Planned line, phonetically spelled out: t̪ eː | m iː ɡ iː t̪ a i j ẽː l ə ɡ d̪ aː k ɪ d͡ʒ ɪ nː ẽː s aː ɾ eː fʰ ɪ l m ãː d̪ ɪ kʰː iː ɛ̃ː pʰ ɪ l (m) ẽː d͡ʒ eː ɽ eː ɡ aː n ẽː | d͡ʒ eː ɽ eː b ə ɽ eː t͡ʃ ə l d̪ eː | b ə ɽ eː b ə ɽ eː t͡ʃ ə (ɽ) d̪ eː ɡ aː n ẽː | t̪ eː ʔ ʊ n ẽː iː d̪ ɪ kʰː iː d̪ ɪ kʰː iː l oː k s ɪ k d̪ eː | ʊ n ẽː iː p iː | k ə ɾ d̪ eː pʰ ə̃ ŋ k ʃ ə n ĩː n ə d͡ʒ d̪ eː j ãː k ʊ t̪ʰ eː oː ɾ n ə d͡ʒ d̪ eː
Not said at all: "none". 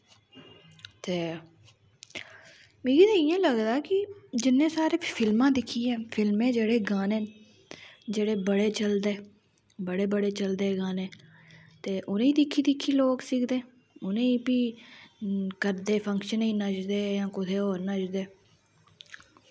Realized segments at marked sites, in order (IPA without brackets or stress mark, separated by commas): m, l